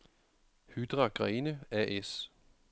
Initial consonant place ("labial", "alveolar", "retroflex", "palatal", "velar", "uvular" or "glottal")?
glottal